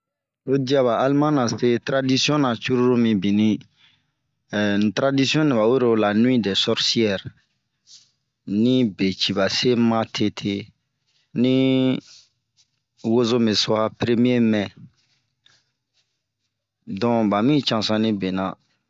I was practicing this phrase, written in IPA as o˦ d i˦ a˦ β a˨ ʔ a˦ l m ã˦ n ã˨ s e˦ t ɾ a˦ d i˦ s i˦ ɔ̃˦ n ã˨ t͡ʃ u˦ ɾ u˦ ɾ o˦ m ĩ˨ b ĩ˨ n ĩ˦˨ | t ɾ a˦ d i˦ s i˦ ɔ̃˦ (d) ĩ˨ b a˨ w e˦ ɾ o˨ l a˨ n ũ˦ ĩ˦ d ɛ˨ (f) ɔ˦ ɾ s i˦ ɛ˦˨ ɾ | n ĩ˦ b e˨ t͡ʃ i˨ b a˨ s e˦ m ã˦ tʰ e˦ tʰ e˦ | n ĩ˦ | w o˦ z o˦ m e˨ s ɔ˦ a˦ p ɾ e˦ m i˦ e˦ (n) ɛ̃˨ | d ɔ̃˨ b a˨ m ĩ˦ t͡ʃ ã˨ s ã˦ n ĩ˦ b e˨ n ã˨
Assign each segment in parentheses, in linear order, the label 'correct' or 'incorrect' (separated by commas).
incorrect, incorrect, incorrect